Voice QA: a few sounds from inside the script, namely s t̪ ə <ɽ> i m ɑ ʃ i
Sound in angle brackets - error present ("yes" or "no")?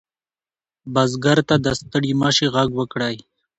no